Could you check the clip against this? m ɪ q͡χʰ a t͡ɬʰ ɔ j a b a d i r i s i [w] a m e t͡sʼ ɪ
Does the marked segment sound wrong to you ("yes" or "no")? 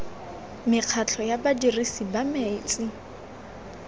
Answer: yes